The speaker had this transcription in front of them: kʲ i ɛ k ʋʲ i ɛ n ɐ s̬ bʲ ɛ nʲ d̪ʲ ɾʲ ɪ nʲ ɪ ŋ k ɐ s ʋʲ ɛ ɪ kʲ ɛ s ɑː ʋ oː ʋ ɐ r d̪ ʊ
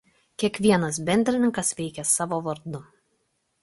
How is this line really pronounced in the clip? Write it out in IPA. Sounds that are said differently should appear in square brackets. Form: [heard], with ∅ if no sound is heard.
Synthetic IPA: kʲ i ɛ k ʋʲ i ɛ n ɐ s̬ bʲ ɛ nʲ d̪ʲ ɾʲ ɪ nʲ ɪ ŋ k ɐ s ʋʲ ɛ ɪ kʲ ɛ s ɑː ʋ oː ʋ ɐ [ɾ] d̪ ʊ